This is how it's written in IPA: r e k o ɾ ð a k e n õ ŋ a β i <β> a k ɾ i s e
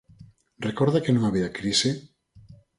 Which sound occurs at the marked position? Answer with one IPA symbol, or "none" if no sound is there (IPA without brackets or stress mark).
none